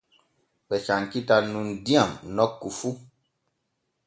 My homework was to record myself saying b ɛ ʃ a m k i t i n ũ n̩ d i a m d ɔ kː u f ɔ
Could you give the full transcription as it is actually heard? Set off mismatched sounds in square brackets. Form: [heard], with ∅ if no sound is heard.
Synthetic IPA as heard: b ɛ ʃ a [ŋ] k i t [a] n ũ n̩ d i a m [n] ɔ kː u f [u]